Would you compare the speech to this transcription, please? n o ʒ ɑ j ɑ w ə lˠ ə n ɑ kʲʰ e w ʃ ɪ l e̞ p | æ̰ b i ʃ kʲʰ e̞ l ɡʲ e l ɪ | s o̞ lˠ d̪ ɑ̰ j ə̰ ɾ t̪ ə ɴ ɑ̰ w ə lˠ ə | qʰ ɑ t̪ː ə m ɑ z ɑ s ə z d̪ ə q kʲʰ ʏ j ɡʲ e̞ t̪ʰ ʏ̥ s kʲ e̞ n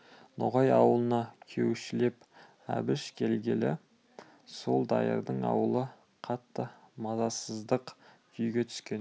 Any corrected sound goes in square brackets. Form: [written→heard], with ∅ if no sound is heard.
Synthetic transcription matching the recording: n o [ʒ→ʁ] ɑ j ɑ w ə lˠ ə n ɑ kʲʰ e w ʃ ɪ l e̞ p | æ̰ b [i→ɪ] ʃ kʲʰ e̞ l ɡʲ e l ɪ | s o̞ lˠ d̪ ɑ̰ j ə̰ ɾ [t̪→d̪] ə ɴ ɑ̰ w ə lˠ ə | qʰ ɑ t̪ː ə m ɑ z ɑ s ə z d̪ ə q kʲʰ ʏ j ɡʲ e̞ t̪ʰ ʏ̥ s kʲ e̞ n